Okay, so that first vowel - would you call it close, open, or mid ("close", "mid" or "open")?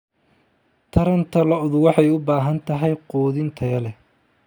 open